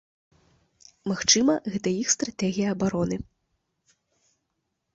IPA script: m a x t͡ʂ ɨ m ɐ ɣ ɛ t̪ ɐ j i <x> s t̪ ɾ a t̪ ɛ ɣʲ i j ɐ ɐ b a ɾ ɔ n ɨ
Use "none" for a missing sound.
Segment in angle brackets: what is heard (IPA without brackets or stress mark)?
x